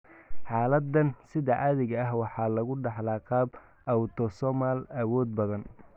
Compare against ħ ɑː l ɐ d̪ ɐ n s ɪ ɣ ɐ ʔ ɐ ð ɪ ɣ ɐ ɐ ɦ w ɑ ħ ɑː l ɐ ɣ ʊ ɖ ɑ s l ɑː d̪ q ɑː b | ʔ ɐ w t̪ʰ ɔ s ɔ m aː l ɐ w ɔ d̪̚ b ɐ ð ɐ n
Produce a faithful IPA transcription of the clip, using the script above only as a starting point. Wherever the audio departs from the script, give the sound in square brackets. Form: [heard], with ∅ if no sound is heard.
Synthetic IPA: ħ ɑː l ɐ d̪ ɐ n s ɪ [ð] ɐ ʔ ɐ ð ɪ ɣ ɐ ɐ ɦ w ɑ ħ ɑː l ɐ ɣ ʊ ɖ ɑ [ħ] l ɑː [∅] q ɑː b | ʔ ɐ w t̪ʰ ɔ s ɔ m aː l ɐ w [ɔː] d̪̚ b ɐ ð ɐ n